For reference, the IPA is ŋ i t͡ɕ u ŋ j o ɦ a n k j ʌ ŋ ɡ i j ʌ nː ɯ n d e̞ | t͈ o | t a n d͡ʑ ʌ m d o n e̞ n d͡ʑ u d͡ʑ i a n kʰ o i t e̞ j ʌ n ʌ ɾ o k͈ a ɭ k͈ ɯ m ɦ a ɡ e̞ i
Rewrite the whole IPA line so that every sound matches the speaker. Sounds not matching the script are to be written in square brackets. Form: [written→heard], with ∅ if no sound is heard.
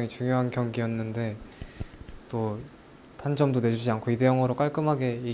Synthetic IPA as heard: ŋ i t͡ɕ u ŋ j o ɦ a n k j ʌ ŋ ɡ i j ʌ nː ɯ n d e̞ | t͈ o | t a n d͡ʑ ʌ m d o n e̞ [n→∅] d͡ʑ u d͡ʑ i a n kʰ o i [t→d] e̞ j ʌ [n→ŋ] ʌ ɾ o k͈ a ɭ k͈ ɯ m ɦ a ɡ e̞ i